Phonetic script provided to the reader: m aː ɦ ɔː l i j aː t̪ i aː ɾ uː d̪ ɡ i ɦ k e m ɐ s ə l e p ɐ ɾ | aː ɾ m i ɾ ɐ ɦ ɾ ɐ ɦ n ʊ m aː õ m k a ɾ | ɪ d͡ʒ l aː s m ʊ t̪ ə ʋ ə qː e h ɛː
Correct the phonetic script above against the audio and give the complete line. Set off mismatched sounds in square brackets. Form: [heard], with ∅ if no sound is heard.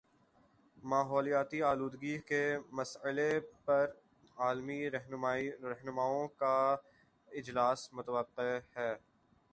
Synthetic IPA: m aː ɦ ɔː l i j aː t̪ i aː [l] uː d̪ ɡ i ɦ k e m ɐ s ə l e p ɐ ɾ | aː [l] m i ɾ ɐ ɦ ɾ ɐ ɦ n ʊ m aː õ [∅] k a [∅] | ɪ d͡ʒ l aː s m ʊ t̪ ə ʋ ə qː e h ɛː